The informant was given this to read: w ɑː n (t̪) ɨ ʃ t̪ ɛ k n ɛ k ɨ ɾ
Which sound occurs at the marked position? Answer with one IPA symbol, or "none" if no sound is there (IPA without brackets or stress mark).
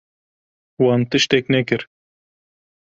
t̪